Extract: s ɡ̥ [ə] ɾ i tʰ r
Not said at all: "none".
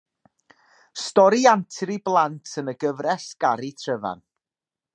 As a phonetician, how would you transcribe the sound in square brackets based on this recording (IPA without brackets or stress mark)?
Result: a